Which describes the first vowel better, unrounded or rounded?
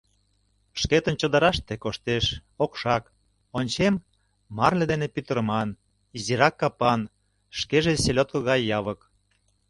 unrounded